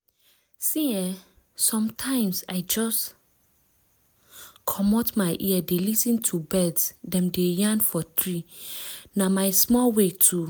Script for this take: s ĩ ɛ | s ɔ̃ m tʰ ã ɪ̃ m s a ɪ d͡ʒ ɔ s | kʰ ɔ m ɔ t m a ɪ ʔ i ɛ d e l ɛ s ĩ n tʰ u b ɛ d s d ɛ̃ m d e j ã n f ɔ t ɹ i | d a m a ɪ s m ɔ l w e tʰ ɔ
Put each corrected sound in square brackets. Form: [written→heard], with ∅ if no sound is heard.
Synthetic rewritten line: s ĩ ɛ | s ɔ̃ m tʰ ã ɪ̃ m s a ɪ d͡ʒ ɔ s | kʰ ɔ m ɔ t m a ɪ ʔ i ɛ d e l [ɛ→i] s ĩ n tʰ u b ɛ d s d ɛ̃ m d e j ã n f ɔ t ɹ i | [d→n] a m a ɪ s m ɔ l w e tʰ [ɔ→u]